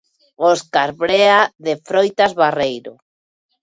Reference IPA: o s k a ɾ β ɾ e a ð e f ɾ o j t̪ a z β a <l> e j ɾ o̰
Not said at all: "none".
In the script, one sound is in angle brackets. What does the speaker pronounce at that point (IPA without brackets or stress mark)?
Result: r